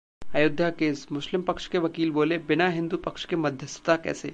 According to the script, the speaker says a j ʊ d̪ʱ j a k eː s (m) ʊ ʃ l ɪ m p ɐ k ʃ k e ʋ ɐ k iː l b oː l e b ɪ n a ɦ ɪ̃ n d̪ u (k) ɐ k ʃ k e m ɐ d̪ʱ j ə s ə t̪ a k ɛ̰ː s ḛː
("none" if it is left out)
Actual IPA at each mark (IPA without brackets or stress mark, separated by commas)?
m, p